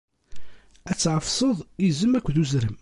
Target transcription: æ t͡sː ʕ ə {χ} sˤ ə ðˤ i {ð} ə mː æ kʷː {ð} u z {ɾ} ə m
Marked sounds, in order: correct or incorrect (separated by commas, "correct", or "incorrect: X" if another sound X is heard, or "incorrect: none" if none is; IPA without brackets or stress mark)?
incorrect: f, incorrect: z, correct, correct